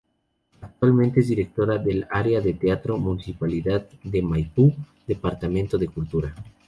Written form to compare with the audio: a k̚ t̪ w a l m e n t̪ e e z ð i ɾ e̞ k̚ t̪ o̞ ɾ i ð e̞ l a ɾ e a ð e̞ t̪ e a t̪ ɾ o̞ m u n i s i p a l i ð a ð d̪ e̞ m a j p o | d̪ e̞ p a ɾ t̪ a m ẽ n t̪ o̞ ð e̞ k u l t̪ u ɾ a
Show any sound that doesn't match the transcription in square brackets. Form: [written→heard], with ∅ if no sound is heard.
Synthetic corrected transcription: a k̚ t̪ w a l m e n t̪ e e z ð i ɾ e̞ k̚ t̪ o̞ ɾ [i→a] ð e̞ l a ɾ e a ð e̞ t̪ e a t̪ ɾ o̞ m u n i s i p a l i ð a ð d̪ e̞ m a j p [o→u] | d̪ e̞ p a ɾ t̪ a m ẽ n t̪ o̞ ð e̞ k u l t̪ u ɾ a